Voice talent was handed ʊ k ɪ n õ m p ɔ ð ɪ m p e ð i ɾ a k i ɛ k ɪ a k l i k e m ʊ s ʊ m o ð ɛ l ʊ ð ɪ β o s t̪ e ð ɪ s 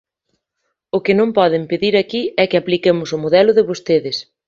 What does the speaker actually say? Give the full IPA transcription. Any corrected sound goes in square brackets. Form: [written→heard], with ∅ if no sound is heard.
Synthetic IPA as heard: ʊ k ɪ n õ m p ɔ ð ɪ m p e ð i ɾ a k i ɛ k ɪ a [k→p] l i k e m ʊ s ʊ m o ð ɛ l ʊ ð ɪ β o s t̪ e ð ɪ s